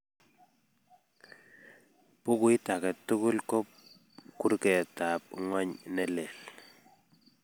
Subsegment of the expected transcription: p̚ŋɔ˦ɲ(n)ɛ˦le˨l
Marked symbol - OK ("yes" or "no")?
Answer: yes